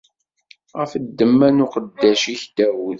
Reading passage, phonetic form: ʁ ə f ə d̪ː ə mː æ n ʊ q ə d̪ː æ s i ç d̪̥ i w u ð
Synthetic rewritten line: ʁ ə f ə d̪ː ə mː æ n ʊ q ə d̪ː æ ʃ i ç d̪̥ æ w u ð